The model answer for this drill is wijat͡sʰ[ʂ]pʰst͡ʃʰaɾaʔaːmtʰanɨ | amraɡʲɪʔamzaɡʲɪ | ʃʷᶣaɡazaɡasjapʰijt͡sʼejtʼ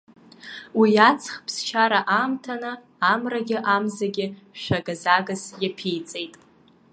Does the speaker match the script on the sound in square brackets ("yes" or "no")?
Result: no